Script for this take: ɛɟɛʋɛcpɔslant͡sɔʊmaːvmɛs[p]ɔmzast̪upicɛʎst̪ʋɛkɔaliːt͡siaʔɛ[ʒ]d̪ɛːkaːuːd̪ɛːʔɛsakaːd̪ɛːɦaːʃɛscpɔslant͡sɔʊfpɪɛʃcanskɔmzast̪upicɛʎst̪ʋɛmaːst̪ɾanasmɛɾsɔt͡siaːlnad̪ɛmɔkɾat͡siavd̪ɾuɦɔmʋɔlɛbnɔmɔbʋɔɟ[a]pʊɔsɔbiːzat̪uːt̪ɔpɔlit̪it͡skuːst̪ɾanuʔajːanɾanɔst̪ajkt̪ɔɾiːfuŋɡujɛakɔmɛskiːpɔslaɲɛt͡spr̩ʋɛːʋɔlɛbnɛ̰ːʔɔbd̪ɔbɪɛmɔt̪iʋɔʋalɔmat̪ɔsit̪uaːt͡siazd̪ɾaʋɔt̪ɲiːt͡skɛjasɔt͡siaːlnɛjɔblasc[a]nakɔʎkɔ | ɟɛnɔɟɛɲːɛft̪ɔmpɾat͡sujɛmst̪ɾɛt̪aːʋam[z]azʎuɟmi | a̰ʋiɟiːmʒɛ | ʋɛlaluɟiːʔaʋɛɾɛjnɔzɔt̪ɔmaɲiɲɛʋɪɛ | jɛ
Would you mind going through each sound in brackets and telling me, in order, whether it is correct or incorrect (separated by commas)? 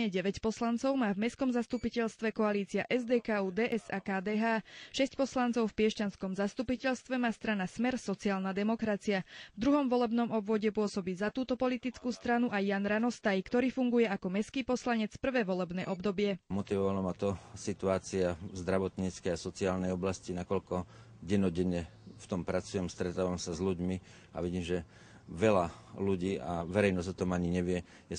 incorrect, incorrect, incorrect, incorrect, incorrect